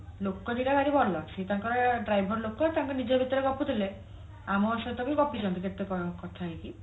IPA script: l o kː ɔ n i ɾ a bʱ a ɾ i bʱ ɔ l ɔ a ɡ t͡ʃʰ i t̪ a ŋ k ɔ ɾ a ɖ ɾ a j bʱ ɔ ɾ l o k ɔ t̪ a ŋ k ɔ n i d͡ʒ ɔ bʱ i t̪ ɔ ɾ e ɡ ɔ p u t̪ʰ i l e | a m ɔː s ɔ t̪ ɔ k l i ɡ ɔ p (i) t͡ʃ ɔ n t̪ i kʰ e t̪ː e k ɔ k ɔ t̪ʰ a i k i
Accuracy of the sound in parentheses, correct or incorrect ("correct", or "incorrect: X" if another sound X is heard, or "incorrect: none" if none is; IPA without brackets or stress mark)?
correct